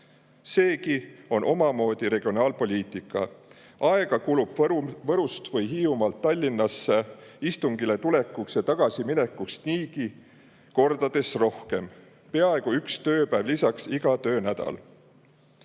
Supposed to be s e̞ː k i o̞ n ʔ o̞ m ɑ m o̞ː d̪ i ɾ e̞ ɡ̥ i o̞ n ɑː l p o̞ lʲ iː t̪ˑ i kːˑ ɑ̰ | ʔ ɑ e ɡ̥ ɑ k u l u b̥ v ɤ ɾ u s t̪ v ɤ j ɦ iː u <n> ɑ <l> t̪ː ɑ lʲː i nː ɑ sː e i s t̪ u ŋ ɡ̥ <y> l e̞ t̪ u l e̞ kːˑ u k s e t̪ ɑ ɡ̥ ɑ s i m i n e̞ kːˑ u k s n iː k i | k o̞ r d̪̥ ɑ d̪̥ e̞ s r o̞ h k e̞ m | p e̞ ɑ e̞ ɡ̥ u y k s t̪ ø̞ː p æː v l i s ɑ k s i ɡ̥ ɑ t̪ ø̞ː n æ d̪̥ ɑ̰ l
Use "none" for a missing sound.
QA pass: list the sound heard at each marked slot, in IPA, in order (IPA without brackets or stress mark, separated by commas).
m, l, i